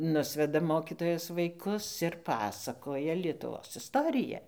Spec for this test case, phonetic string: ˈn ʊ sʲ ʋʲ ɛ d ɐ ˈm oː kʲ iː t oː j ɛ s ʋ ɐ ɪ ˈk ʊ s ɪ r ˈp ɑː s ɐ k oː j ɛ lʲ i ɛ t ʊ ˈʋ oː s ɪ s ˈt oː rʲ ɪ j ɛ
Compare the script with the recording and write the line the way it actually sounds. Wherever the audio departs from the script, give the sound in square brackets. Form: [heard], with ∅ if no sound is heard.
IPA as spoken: ˈn ʊ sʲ ʋʲ ɛ d ɐ ˈm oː kʲ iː t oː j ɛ s ʋ ɐ ɪ ˈk ʊ s ɪ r ˈp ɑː s ɐ k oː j ɛ lʲ i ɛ t ʊ ˈʋ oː s ɪ s ˈt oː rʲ ɪ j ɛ